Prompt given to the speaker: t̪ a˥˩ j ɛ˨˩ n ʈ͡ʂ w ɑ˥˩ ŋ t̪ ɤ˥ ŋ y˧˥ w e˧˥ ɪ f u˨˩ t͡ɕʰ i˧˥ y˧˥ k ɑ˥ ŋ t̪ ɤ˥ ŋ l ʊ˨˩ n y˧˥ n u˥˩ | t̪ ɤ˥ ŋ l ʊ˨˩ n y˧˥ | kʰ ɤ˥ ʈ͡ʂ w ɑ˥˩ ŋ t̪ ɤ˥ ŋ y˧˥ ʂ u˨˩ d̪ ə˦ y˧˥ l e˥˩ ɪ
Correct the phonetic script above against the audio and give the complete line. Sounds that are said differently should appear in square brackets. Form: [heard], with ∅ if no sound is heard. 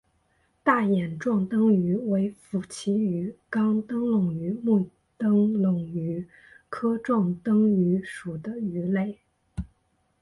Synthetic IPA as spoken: t̪ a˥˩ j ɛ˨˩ n ʈ͡ʂ w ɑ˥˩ ŋ t̪ ɤ˥ ŋ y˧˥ w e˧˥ ɪ f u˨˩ t͡ɕʰ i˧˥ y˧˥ k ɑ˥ ŋ t̪ ɤ˥ ŋ l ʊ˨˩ [ŋ] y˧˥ [m] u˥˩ | t̪ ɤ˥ ŋ l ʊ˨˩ [ŋ] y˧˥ | kʰ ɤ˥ ʈ͡ʂ w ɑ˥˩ ŋ t̪ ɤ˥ ŋ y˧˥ ʂ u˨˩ d̪ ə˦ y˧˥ l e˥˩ ɪ